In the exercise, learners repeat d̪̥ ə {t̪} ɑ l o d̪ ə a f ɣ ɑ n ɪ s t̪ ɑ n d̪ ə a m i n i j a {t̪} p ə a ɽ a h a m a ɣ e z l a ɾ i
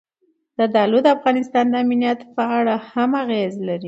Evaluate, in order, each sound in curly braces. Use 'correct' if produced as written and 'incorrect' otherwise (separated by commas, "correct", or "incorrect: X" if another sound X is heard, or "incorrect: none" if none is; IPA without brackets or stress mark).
incorrect: d̪, correct